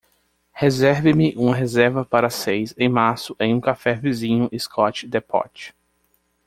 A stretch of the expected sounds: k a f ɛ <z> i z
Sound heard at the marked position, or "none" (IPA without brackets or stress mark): v